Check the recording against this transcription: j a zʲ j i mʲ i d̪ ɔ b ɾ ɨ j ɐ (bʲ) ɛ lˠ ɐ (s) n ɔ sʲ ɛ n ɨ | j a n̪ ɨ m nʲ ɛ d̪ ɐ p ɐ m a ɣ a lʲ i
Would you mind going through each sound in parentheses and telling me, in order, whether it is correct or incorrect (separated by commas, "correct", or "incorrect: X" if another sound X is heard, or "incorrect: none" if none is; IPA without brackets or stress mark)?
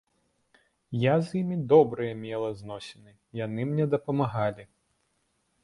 incorrect: mʲ, incorrect: z